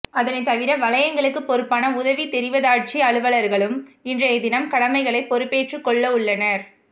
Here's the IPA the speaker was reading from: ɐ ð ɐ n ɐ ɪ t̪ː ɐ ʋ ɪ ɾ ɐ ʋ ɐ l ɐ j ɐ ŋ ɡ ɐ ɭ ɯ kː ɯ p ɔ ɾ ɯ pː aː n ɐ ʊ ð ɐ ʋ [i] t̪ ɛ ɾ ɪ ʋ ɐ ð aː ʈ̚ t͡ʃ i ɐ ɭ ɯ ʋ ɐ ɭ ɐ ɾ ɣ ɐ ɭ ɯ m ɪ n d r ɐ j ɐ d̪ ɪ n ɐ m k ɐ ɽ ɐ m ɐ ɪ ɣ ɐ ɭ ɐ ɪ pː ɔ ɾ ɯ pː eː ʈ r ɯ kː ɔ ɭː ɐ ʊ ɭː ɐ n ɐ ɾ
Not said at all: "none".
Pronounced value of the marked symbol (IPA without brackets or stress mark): i